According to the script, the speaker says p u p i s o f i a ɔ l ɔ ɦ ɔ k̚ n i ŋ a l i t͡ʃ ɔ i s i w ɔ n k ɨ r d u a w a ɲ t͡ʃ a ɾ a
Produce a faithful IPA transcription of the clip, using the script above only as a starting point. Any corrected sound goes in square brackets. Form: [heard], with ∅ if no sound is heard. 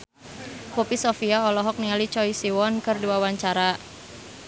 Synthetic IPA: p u p i s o f i a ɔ l ɔ ɦ ɔ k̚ n i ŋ a l i t͡ʃ ɔ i s i w ɔ n k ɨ r d u a w a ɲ t͡ʃ a ɾ a

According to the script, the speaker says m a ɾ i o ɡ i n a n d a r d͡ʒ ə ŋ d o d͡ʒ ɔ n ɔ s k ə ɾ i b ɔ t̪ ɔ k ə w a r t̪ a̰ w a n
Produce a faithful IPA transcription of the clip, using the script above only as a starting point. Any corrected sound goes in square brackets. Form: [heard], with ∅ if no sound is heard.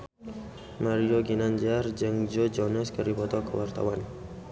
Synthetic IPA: m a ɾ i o ɡ i n a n [d͡ʒ] a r d͡ʒ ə ŋ [d͡ʒ] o d͡ʒ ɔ n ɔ s k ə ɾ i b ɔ t̪ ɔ k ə w a r t̪ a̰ w a n

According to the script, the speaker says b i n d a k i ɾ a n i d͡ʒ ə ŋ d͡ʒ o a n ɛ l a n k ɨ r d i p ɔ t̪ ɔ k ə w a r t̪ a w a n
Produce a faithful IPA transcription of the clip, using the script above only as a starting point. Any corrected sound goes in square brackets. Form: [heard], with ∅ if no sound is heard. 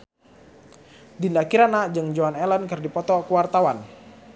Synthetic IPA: [d] i n d a k i ɾ a n [a] d͡ʒ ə ŋ d͡ʒ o a n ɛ l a n k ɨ r d i p ɔ t̪ ɔ k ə w a r t̪ a w a n

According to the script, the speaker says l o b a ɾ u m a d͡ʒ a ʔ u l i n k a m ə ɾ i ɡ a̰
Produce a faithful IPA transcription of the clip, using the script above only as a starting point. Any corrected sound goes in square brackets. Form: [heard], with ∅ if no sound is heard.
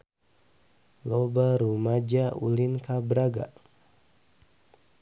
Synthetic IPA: l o b a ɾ u m a d͡ʒ a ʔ u l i n k a [b] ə ɾ [a] ɡ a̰

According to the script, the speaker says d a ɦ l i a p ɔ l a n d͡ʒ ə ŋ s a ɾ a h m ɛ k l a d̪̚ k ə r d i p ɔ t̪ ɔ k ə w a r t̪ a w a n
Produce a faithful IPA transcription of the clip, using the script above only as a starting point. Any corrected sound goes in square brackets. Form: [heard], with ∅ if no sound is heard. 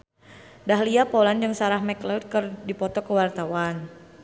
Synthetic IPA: d a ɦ l i a p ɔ l a n d͡ʒ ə ŋ s a ɾ a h m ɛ k l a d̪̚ k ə r d i p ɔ t̪ ɔ k ə w a r t̪ a w a n

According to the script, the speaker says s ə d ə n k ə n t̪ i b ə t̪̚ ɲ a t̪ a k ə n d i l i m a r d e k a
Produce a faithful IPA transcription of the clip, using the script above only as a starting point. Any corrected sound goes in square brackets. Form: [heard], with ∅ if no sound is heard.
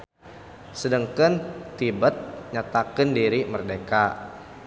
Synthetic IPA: s ə d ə [ŋ] k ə n t̪ i b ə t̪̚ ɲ a t̪ a k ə n d i [ɾ] i m [ə] r d e k a

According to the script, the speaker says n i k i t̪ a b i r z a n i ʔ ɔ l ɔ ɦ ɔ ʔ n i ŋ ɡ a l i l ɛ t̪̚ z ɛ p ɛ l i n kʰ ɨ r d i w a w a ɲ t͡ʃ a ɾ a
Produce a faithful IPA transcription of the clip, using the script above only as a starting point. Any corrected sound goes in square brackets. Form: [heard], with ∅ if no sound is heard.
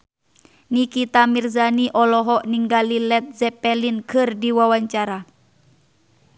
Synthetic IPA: n i k i t̪ a [m] i r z a n i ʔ ɔ l ɔ ɦ ɔ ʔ n i ŋ ɡ a l i l ɛ t̪̚ z ɛ p ɛ l i n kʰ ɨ r d i w a w a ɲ t͡ʃ a ɾ a

